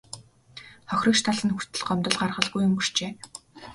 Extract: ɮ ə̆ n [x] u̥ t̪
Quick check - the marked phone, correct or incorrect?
correct